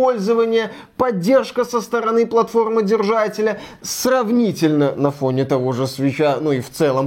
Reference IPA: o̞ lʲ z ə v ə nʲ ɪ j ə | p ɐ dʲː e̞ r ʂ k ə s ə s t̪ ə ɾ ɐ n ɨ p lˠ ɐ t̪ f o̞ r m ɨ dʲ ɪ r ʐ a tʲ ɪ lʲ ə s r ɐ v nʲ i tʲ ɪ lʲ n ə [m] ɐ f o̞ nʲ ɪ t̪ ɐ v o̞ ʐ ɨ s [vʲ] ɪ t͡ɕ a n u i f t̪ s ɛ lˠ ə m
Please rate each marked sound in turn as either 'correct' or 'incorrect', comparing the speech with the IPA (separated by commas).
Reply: incorrect, correct